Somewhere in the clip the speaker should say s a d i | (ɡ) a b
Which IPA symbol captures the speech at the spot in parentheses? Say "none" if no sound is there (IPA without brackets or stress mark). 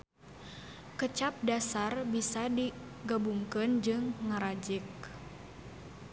ɡ